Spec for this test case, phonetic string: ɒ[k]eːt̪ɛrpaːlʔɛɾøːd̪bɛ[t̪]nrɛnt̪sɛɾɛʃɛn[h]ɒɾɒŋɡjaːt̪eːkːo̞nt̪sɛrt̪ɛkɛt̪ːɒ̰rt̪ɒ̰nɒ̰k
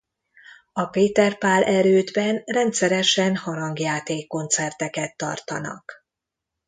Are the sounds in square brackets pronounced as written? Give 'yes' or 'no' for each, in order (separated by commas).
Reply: no, no, yes